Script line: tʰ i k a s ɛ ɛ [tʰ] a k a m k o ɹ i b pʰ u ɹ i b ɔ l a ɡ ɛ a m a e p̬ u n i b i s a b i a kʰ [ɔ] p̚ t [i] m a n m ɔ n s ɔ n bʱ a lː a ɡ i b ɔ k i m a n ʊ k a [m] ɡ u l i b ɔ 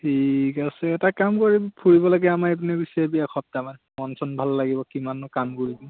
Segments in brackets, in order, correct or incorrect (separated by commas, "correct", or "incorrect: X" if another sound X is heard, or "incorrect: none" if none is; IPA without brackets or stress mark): incorrect: t, correct, incorrect: a, correct